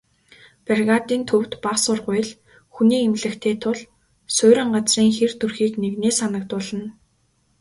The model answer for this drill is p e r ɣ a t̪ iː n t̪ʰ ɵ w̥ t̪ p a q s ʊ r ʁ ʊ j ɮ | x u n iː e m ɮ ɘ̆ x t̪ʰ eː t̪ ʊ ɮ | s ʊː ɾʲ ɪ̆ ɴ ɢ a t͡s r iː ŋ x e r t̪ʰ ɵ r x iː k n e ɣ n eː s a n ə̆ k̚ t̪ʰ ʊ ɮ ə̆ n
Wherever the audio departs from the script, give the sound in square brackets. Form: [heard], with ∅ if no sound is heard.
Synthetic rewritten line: p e r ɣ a t̪ iː n t̪ʰ ɵ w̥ t̪ p a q s ʊ r ʁ ʊ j ɮ | x u n iː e m ɮ ɘ̆ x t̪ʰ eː [t̪ʰ] ʊ ɮ | s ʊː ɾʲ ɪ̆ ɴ ɢ a t͡s r iː ŋ x e r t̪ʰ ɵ r x iː k n e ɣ n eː s a n ə̆ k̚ [t̪] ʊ ɮ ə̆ n